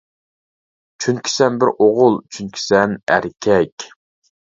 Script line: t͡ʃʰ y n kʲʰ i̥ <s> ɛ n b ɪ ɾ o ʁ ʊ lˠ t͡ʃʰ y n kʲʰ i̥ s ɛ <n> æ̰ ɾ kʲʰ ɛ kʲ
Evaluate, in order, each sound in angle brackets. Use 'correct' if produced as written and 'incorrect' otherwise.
correct, correct

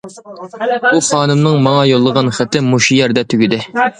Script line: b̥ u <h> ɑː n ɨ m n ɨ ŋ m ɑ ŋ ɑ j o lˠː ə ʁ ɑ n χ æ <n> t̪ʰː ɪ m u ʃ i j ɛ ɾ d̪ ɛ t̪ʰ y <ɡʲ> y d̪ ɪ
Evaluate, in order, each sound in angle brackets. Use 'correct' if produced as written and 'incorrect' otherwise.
incorrect, incorrect, correct

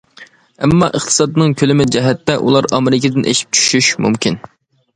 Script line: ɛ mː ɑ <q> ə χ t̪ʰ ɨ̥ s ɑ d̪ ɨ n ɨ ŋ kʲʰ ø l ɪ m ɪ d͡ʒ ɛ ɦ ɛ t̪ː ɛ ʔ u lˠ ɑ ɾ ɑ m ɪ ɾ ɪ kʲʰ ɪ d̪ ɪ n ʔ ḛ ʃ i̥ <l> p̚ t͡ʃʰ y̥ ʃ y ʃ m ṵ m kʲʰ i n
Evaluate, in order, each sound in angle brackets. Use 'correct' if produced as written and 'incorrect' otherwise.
incorrect, incorrect

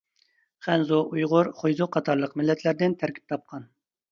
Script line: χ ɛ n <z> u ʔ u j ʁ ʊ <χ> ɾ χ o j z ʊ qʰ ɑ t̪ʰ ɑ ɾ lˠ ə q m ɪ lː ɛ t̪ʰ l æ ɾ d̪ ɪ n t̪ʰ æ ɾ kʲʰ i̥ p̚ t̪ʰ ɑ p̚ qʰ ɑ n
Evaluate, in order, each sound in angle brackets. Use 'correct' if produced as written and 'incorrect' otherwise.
correct, incorrect

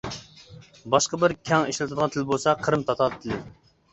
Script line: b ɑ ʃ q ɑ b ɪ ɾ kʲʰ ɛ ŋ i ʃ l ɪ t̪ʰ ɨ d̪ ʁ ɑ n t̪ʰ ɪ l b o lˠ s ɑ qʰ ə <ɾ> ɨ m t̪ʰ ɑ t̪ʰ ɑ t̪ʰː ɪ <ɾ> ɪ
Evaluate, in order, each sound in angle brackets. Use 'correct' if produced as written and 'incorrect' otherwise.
correct, incorrect

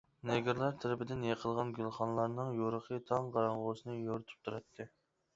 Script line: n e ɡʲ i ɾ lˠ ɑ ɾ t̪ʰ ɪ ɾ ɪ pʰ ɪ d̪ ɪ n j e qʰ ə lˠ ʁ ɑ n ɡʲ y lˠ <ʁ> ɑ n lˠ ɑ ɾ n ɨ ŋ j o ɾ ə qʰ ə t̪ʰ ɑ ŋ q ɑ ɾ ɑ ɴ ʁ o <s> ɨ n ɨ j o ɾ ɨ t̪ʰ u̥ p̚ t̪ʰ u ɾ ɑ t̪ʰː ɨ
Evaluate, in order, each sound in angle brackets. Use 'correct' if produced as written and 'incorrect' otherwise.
incorrect, correct

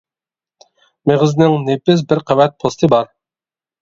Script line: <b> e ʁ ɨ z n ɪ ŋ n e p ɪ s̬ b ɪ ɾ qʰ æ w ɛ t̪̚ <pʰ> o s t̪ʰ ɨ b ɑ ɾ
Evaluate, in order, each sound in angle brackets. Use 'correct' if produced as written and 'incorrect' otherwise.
incorrect, correct

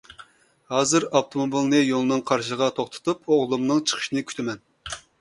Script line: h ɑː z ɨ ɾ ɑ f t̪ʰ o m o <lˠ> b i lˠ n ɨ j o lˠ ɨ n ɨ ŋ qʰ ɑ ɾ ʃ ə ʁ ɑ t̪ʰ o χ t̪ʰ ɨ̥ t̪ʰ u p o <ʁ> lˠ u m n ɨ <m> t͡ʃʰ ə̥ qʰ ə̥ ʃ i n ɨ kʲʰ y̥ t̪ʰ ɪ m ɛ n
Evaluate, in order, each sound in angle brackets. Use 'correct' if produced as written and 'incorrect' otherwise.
incorrect, correct, incorrect

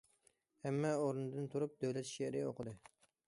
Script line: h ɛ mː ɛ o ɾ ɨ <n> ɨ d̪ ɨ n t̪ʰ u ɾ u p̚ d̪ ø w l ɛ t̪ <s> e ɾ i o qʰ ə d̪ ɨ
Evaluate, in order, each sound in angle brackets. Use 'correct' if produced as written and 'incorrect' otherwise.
correct, incorrect

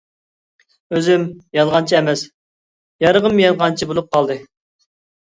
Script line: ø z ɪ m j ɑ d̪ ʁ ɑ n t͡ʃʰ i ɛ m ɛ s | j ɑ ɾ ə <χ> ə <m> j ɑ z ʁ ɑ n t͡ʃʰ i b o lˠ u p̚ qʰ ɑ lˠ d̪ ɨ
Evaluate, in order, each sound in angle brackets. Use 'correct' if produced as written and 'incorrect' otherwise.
incorrect, correct

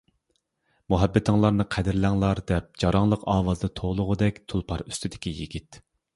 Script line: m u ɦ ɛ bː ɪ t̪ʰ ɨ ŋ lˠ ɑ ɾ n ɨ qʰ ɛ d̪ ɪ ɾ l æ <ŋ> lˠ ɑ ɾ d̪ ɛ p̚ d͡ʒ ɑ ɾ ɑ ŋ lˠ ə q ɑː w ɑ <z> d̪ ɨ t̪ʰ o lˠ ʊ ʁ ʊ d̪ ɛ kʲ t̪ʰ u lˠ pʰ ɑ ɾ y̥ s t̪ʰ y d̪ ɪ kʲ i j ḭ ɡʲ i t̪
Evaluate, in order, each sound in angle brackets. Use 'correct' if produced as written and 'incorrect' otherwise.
correct, correct

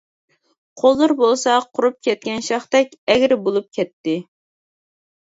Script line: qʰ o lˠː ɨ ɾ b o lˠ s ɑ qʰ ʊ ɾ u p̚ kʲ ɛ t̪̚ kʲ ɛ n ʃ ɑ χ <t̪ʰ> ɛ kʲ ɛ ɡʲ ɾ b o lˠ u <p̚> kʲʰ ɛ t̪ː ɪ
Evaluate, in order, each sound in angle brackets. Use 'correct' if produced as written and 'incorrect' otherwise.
incorrect, correct

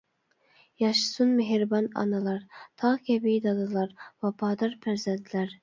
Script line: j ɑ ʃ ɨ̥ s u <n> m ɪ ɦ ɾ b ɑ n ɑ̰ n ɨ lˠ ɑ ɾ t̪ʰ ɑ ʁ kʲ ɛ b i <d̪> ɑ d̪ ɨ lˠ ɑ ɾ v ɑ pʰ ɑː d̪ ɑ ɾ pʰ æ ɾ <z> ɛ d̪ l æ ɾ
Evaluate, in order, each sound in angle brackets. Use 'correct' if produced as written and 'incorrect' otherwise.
correct, correct, correct

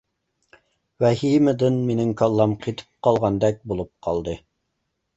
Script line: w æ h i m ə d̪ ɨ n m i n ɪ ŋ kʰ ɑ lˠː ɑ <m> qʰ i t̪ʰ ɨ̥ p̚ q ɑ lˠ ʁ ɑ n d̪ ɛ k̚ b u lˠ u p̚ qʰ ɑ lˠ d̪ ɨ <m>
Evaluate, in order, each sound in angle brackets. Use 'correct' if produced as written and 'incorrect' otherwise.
correct, incorrect

